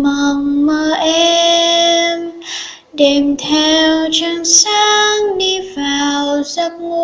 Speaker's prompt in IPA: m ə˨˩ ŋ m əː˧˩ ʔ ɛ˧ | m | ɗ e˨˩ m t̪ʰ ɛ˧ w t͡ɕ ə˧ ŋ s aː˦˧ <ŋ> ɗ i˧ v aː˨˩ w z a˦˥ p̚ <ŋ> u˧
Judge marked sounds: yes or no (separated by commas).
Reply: yes, yes